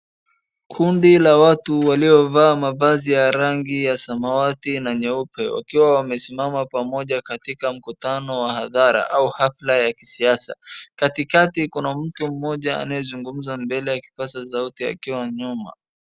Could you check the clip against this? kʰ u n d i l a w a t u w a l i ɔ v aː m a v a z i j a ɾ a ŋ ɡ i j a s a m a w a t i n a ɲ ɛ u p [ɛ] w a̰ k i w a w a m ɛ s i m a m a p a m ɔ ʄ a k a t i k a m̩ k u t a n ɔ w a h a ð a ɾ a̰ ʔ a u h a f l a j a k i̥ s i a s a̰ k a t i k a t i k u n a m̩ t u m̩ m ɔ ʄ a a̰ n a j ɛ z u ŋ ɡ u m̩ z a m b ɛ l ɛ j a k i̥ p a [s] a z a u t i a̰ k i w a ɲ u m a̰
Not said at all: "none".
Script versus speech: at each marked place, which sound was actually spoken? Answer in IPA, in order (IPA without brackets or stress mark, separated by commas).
ɛ, s